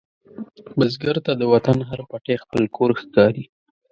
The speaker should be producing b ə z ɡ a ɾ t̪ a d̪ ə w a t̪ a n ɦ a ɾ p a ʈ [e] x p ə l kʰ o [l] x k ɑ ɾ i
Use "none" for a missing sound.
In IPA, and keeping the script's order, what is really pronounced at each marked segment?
e, ɾ

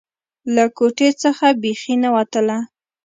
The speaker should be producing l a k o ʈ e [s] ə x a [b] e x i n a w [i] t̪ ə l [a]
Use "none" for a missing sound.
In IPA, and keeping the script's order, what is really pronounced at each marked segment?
t͡s, b, a, a

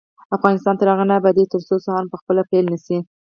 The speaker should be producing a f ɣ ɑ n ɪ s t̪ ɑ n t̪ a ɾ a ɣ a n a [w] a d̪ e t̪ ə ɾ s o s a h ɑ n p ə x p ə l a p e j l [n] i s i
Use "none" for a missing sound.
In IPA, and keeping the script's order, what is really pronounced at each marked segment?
b, n

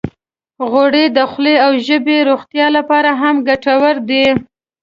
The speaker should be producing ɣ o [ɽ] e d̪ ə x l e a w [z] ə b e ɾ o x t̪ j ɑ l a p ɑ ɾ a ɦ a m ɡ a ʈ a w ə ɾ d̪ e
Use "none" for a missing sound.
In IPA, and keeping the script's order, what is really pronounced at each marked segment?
ɽ, ʒ

